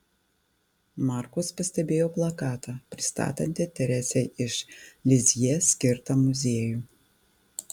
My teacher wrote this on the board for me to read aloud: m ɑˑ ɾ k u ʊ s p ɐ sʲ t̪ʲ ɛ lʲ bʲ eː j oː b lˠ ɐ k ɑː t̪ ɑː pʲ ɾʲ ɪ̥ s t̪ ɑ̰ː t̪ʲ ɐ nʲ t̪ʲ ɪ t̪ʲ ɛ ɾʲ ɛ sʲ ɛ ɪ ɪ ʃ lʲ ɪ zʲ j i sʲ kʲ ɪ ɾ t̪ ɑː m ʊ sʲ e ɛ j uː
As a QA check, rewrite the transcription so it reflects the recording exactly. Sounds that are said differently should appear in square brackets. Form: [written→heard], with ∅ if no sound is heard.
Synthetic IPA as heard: m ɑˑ ɾ k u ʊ s p ɐ sʲ t̪ʲ ɛ [lʲ→∅] bʲ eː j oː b lˠ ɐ k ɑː t̪ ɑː pʲ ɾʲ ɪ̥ s t̪ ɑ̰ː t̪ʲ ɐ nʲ t̪ʲ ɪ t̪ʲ ɛ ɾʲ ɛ sʲ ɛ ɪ ɪ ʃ lʲ ɪ zʲ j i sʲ kʲ ɪ ɾ t̪ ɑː m ʊ [sʲ→zʲ] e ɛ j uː